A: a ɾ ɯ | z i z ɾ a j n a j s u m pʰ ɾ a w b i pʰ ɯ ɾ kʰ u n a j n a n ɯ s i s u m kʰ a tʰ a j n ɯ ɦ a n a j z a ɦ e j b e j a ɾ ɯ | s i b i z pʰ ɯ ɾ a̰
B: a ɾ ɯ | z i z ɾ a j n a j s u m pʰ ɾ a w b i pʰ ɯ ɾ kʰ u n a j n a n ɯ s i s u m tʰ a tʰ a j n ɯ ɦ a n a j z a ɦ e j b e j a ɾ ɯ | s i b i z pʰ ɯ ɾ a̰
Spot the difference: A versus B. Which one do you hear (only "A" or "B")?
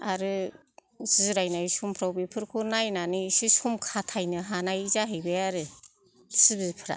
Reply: A